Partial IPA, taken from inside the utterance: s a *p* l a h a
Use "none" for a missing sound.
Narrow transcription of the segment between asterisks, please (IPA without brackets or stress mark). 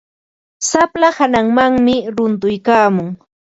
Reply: p